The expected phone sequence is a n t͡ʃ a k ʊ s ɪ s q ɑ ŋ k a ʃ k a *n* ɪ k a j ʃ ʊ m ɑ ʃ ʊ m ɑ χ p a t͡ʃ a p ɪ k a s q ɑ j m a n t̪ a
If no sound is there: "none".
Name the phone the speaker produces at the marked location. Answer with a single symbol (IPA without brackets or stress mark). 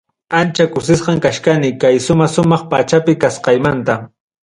n